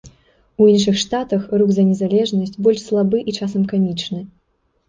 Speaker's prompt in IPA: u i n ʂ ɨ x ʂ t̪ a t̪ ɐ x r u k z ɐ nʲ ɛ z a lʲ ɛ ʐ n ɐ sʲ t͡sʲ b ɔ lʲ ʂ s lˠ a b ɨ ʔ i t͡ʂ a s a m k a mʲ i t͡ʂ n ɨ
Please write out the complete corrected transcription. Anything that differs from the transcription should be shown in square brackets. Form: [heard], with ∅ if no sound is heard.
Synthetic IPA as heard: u i n ʂ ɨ x ʂ t̪ a t̪ ɐ x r u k z ɐ nʲ ɛ z a lʲ ɛ ʐ n ɐ sʲ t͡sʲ b ɔ lʲ ʂ s lˠ a b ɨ ʔ i t͡ʂ a s [ɐ] m k a mʲ i t͡ʂ n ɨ